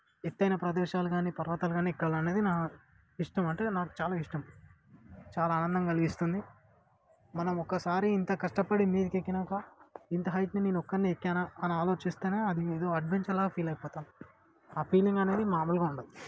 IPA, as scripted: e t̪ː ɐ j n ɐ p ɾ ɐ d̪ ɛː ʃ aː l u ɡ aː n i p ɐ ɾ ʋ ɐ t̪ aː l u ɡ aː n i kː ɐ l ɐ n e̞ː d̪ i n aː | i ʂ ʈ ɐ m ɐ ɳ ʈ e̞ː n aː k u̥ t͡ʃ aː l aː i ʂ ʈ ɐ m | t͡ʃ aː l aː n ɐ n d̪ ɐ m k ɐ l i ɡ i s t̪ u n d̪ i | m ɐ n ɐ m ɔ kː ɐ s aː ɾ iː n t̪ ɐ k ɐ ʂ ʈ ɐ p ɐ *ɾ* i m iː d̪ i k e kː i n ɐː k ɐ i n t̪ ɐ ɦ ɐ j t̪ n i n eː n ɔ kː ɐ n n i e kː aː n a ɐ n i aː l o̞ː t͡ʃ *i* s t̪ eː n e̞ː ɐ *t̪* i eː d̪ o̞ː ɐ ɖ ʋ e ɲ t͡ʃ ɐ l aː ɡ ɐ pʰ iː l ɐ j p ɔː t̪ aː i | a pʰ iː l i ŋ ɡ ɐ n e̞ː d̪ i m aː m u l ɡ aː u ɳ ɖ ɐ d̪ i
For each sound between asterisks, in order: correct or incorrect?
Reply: incorrect, correct, incorrect

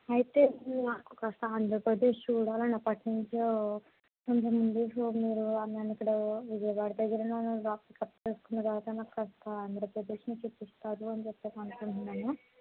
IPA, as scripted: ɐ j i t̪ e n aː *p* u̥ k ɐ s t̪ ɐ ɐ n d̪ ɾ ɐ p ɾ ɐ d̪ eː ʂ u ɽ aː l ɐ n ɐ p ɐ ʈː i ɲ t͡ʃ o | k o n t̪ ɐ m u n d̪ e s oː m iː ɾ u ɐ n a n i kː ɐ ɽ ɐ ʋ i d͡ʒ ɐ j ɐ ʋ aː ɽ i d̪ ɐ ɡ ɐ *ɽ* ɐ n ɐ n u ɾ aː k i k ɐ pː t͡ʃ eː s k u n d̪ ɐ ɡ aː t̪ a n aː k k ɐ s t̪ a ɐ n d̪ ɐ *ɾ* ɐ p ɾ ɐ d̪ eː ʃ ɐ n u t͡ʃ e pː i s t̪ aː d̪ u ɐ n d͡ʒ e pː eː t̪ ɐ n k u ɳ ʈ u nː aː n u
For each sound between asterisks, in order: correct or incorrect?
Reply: incorrect, incorrect, correct

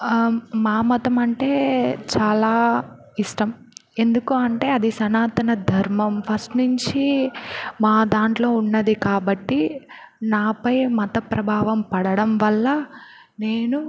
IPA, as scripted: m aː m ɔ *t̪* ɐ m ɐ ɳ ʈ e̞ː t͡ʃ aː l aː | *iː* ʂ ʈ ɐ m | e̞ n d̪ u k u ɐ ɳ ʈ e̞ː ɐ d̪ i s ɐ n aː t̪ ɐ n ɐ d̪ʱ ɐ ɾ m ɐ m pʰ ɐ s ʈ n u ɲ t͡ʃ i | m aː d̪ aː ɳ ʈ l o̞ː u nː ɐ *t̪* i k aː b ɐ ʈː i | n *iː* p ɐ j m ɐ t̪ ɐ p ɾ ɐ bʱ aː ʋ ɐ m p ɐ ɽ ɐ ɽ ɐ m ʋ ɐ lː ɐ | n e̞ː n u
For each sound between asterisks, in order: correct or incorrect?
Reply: correct, incorrect, incorrect, incorrect

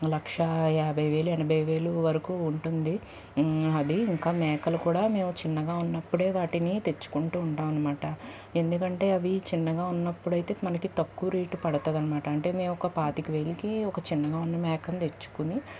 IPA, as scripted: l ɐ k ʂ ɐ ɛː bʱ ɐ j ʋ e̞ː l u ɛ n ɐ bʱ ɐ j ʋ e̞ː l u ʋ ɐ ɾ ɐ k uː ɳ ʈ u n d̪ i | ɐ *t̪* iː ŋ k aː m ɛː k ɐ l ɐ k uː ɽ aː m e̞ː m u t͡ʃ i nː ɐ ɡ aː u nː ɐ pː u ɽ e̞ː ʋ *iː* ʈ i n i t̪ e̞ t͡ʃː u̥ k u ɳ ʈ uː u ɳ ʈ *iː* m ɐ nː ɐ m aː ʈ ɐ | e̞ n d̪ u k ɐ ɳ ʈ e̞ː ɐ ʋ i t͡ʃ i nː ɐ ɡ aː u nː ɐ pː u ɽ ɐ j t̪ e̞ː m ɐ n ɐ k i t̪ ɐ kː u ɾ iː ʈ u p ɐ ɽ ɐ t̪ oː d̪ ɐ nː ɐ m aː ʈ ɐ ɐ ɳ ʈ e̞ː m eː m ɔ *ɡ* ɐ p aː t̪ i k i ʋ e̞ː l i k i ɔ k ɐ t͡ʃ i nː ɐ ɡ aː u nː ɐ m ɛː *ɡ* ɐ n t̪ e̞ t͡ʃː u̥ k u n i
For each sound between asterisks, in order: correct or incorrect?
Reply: incorrect, incorrect, incorrect, incorrect, incorrect

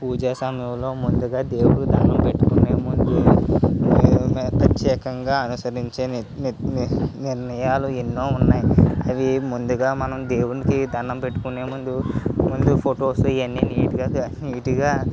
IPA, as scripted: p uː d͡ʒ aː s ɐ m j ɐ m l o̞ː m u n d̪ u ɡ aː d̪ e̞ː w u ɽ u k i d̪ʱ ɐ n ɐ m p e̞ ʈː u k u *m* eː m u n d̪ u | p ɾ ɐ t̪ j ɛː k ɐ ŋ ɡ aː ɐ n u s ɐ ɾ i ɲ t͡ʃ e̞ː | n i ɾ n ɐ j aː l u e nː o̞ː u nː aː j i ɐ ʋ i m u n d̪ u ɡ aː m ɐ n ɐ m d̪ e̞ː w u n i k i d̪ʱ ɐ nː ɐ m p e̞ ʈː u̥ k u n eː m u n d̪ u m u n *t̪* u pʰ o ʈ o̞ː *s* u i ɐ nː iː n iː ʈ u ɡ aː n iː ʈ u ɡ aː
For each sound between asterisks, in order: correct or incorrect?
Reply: incorrect, incorrect, correct

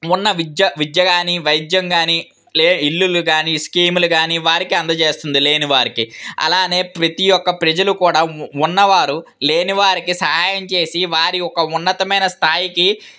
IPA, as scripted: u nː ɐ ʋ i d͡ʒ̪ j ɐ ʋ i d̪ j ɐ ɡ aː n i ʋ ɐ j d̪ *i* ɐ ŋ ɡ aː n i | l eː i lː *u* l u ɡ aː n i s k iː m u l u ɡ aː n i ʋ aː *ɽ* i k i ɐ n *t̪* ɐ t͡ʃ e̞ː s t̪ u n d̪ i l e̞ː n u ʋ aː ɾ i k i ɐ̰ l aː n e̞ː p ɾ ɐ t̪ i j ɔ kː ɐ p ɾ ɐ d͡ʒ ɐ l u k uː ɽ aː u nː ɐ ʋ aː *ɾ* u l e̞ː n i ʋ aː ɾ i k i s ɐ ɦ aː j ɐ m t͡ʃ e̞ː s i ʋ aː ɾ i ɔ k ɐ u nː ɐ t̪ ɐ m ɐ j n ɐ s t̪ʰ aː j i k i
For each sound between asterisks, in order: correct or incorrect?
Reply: incorrect, correct, incorrect, incorrect, correct

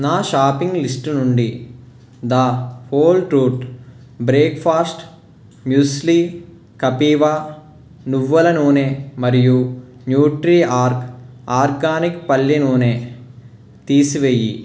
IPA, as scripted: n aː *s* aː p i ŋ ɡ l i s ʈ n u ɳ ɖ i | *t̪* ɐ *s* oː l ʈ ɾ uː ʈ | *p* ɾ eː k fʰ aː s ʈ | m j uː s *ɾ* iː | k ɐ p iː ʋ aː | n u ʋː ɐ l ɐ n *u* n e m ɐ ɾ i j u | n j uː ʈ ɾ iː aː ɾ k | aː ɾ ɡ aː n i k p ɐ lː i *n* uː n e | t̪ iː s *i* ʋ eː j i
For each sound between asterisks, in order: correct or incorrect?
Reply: incorrect, incorrect, incorrect, incorrect, incorrect, incorrect, correct, correct

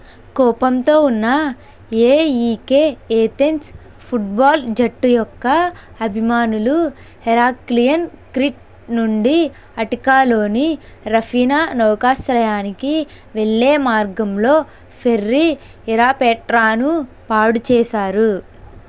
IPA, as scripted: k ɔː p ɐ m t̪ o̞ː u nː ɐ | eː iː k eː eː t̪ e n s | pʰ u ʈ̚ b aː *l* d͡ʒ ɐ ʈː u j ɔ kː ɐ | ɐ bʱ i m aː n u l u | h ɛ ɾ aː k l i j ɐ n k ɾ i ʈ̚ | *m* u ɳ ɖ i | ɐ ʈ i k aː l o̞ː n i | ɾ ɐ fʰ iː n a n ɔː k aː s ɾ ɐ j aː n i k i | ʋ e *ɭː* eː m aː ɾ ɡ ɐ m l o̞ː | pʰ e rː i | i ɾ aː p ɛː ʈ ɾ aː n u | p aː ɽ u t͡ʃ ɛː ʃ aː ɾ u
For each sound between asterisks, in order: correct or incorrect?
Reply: correct, incorrect, correct

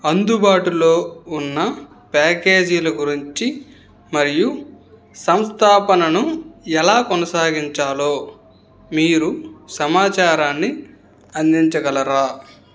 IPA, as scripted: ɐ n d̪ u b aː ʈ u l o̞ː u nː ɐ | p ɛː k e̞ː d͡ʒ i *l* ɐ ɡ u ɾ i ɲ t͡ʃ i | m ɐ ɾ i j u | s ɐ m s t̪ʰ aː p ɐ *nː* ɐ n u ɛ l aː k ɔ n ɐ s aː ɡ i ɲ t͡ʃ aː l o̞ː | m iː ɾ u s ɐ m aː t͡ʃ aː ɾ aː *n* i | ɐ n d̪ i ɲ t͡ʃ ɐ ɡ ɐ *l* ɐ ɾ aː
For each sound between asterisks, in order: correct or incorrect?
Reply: correct, incorrect, incorrect, correct

